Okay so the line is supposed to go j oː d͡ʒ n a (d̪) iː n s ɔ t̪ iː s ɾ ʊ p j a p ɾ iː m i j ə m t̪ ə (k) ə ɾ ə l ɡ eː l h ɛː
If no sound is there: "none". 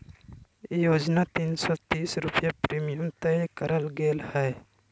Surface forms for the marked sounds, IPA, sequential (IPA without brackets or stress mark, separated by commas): t̪, k